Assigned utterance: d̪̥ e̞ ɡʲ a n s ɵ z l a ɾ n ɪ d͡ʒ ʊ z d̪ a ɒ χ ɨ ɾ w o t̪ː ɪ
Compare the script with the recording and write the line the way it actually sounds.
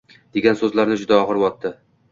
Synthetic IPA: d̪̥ e̞ ɡʲ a n s ɵ z l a ɾ n ɪ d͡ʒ ʊ d̪ a ɒ ʁ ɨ ɾ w ɒ t̪ː ɪ

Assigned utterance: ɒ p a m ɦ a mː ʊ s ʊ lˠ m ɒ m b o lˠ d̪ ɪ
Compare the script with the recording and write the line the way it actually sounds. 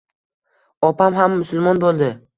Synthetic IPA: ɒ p a m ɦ a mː ʊ s ʊ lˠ m ɒ n b o lˠ d̪ ɪ

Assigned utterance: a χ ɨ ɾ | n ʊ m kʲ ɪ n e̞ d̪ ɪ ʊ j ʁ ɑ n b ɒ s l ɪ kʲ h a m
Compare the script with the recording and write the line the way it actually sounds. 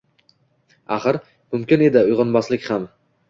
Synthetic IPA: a χ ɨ ɾ | m ʊ m kʲ ɪ n e̞ d̪ ɪ ʊ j ʁ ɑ n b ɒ s l ɪ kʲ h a m

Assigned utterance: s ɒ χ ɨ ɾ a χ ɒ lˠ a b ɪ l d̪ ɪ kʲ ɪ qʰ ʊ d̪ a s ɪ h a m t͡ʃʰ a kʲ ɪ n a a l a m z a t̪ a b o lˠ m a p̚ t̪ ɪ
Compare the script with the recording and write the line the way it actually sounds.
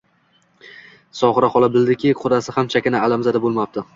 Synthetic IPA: s ɒ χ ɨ ɾ a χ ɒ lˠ a b ɪ l d̪ ɪ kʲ ɪ qʰ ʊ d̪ a s ɪ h a m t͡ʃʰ a kʲ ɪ n a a l a m z a d̪ a b o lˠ m a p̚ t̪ ɪ

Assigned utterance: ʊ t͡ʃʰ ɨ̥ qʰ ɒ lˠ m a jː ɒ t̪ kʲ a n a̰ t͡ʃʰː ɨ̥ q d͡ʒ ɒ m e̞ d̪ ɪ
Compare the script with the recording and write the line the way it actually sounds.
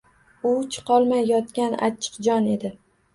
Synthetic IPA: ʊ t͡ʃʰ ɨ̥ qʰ ɒ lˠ m a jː ɒ t̪ kʲ a n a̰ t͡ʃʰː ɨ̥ q d͡ʒ ɒ n e̞ d̪ ɪ

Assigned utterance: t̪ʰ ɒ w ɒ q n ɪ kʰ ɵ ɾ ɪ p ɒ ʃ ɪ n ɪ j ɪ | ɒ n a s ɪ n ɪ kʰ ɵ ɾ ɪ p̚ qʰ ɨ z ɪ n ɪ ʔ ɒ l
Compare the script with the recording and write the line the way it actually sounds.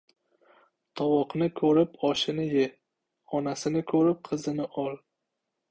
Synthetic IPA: t̪ʰ ɒ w ɒ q n ɪ kʰ ɵ ɾ ɪ p ɒ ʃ ɪ n ɪ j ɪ | ɒ n a s ɪ n ɪ kʰ ɵ ɾ ɪ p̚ qʰ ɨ z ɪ n ɪ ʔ ɒ l

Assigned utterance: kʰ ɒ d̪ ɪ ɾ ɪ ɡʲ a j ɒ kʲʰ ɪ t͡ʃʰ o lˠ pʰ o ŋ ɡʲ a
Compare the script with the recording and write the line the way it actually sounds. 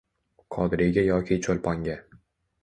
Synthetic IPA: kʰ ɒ d̪ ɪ ɾ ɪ ɡʲ a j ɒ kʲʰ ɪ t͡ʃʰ o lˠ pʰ ɒ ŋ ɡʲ a

